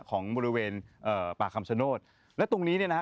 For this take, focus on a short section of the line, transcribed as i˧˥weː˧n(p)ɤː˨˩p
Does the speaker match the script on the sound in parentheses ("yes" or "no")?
no